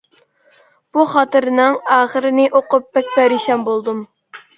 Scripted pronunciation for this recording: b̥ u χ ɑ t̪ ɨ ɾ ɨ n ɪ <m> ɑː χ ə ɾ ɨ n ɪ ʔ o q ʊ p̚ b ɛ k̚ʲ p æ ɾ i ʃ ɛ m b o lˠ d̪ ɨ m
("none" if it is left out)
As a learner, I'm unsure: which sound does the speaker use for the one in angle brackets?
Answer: ŋ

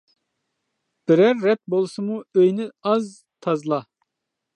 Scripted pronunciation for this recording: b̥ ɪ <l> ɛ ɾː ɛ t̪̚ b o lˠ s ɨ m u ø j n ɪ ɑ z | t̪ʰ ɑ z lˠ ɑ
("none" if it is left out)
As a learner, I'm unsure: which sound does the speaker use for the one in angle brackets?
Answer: ɾ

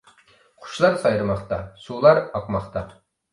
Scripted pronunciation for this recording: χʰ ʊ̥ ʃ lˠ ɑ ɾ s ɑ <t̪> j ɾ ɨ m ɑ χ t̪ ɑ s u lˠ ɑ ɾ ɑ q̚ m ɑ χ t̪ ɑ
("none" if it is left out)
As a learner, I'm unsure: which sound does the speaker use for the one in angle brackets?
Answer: none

